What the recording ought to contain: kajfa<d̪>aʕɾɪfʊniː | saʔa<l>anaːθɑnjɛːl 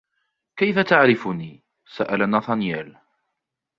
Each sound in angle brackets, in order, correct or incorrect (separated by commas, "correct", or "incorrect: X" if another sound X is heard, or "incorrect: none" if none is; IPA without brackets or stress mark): incorrect: t̪, correct